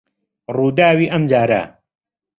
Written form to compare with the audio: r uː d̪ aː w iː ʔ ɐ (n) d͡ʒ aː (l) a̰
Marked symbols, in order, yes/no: no, no

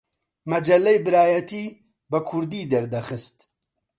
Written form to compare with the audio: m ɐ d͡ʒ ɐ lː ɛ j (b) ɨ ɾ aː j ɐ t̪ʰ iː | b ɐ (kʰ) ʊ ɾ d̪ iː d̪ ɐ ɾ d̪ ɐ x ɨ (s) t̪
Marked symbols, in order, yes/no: yes, yes, yes

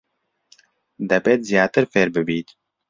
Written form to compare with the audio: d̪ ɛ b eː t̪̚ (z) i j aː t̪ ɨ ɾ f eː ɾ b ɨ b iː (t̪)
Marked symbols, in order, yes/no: yes, yes

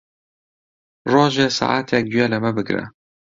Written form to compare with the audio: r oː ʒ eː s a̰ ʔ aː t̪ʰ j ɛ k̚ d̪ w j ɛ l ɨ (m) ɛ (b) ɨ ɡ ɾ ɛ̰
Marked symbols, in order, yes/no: yes, yes

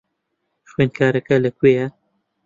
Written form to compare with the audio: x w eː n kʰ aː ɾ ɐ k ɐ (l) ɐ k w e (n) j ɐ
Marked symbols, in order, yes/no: yes, no

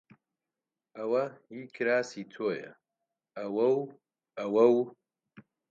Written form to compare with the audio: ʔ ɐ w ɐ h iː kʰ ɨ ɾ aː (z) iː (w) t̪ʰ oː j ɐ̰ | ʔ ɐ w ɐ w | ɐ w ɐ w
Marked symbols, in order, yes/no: no, no

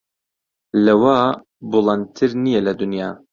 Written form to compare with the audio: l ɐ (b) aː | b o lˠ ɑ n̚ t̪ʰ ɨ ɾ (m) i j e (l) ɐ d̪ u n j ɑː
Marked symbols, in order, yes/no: no, no, yes

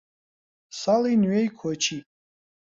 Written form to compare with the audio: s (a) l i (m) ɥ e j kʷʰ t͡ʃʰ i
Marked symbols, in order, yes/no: yes, no

